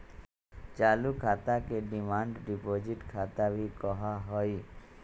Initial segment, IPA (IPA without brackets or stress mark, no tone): t͡ʃ